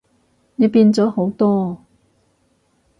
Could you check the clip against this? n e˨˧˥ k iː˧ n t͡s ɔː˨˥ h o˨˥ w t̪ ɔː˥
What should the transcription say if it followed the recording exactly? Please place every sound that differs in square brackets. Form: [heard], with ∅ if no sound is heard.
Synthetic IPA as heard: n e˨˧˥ [p] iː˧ n t͡s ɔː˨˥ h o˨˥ w t̪ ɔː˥

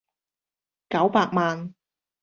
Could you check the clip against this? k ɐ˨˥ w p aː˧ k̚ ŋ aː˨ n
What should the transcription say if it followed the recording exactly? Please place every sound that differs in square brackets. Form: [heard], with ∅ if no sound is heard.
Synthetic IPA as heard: k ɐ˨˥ w p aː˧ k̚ [m] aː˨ n

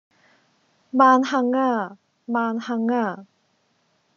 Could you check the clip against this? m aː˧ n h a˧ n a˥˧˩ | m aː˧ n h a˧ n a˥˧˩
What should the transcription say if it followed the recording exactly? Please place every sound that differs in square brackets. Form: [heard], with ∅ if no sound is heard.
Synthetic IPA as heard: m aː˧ n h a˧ [ŋ] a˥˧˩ | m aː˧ n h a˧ [ŋ] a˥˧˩

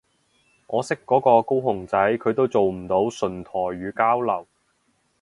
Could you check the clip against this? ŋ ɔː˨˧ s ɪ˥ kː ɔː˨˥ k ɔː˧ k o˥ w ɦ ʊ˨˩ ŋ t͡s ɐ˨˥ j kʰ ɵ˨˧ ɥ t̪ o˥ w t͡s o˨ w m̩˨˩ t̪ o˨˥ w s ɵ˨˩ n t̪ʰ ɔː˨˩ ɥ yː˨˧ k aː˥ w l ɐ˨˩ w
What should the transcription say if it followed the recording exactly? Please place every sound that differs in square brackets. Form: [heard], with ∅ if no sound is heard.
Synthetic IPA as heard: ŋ ɔː˨˧ s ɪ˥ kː ɔː˨˥ k ɔː˧ k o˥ w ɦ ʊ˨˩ ŋ t͡s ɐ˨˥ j kʰ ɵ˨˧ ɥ t̪ o˥ w t͡s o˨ w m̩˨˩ t̪ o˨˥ w s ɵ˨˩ n t̪ʰ ɔː˨˩ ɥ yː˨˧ k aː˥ w l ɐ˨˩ w

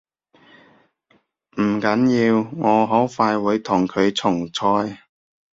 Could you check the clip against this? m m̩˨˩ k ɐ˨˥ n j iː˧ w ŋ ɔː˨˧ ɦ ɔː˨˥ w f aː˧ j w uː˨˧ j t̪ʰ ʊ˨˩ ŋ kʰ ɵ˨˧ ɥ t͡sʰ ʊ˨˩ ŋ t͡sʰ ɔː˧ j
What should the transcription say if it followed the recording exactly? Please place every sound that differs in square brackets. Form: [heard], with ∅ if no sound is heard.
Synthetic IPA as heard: m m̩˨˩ k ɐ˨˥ n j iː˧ w ŋ ɔː˨˧ ɦ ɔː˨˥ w f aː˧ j w uː˨˧ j t̪ʰ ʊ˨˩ ŋ kʰ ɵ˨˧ ɥ t͡sʰ ʊ˨˩ ŋ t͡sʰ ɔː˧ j

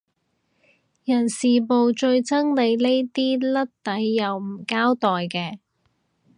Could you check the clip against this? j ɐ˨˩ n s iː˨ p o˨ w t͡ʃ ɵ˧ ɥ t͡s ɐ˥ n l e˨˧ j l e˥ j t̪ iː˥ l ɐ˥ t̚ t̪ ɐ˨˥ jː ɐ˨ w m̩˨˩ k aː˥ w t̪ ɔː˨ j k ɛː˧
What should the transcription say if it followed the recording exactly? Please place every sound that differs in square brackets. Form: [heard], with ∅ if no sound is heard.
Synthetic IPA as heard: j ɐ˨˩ n s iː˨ p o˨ w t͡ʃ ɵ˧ ɥ t͡s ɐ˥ [ŋ] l e˨˧ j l e˥ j t̪ iː˥ l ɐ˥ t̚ t̪ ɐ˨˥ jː ɐ˨ w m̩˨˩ k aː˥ w t̪ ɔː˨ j k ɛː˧

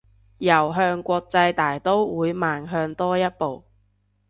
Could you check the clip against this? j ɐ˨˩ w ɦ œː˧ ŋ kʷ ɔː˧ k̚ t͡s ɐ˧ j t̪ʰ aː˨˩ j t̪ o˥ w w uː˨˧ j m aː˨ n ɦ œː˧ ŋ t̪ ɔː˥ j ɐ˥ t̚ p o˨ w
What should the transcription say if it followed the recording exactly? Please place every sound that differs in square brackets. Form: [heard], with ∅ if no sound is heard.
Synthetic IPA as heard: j ɐ˨˩ w ɦ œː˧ ŋ kʷ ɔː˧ k̚ t͡s ɐ˧ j [t̪] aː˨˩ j t̪ o˥ w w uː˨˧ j m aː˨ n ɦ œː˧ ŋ t̪ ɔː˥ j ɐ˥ t̚ p o˨ w

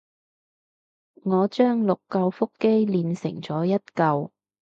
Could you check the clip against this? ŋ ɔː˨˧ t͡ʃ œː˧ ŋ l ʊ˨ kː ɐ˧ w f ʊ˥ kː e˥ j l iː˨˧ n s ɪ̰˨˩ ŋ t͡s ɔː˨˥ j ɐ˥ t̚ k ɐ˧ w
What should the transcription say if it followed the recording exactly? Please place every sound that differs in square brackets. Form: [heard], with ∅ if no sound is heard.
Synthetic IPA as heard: ŋ ɔː˨˧ t͡ʃ [œː˥] ŋ l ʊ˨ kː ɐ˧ w f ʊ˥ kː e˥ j l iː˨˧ n s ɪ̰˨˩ ŋ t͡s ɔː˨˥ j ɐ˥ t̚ k ɐ˧ w

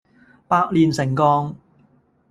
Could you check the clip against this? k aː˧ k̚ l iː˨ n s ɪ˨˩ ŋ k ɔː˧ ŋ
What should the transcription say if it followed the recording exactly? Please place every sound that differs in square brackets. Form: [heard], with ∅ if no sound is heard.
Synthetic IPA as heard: [p] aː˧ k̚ l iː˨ n s ɪ˨˩ ŋ k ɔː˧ ŋ

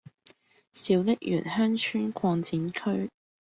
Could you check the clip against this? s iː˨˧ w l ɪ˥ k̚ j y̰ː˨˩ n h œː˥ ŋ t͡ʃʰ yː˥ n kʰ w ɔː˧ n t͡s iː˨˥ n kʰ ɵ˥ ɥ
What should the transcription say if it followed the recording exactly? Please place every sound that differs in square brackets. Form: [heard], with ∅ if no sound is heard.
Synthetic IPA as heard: s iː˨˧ w l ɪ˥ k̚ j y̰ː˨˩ n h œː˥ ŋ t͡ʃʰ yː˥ n kʰ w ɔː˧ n t͡s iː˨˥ n kʰ ɵ˥ ɥ

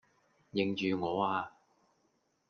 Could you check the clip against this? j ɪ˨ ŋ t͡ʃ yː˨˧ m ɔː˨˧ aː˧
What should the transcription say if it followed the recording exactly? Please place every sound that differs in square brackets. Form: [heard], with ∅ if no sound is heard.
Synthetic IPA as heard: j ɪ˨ ŋ t͡ʃ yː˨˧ [ŋ] ɔː˨˧ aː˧

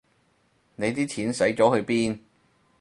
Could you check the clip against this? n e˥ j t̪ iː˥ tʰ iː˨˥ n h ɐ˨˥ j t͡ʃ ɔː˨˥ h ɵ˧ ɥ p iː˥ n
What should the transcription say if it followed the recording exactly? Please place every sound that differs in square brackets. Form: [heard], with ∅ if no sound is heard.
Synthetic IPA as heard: n [e˨˧] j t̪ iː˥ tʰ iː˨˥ n [s] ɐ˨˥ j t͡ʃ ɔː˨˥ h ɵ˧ ɥ p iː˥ n

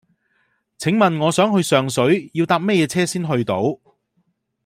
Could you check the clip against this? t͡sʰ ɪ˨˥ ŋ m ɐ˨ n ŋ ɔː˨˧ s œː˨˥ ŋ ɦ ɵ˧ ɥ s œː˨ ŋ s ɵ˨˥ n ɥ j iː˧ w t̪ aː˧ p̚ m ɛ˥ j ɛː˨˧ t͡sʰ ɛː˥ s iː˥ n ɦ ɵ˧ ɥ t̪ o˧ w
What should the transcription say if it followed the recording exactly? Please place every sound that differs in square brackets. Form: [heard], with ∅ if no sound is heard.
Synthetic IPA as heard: t͡sʰ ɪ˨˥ ŋ m ɐ˨ n ŋ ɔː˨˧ s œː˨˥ ŋ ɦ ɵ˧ ɥ s œː˨ ŋ s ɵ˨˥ [∅] ɥ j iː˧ w t̪ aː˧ p̚ m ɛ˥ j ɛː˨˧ t͡sʰ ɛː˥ s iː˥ n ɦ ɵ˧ ɥ t̪ [o˨˥] w

